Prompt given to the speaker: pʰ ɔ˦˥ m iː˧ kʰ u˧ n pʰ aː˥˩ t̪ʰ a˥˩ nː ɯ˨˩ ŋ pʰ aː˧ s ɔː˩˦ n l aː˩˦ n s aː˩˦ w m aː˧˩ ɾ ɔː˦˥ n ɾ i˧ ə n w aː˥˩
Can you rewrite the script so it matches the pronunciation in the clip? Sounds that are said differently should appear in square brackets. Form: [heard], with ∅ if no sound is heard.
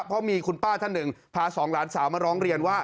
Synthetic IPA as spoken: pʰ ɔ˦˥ m iː˧ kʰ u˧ n [p] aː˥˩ t̪ʰ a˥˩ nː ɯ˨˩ ŋ pʰ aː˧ s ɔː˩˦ [ŋ] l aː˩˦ n s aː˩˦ w m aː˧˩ ɾ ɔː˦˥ [ŋ] ɾ i˧ ə n w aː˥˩